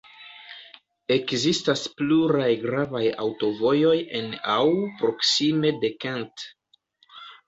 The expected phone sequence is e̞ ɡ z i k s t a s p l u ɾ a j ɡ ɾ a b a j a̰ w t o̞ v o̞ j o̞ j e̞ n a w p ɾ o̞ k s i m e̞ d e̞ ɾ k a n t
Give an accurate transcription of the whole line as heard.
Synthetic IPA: e̞ k z i s t a s p l u ɾ a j ɡ ɾ a v a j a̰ w t o̞ v o̞ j o̞ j e̞ n a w p ɾ o̞ k s i m e̞ d e̞ k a n t